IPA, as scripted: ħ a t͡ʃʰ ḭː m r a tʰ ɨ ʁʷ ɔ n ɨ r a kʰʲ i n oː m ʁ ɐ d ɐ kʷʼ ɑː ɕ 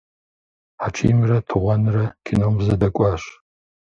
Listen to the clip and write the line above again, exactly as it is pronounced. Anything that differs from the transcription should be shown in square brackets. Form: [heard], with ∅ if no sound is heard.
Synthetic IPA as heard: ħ a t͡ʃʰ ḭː m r [ɐ] tʰ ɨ ʁʷ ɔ n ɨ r [ɐ] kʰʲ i n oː m [z] ɐ d ɐ kʷʼ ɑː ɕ